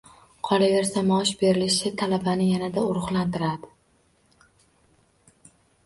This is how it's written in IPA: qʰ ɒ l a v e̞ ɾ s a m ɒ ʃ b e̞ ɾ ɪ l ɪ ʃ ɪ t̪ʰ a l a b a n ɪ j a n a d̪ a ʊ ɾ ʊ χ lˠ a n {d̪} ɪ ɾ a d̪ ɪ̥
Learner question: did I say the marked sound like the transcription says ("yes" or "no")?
no